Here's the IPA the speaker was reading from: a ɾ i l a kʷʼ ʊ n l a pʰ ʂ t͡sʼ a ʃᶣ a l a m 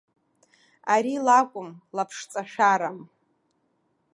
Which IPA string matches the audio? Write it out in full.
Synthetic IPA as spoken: a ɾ i l a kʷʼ ʊ m l a pʰ ʂ t͡sʼ a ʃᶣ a ɾ a m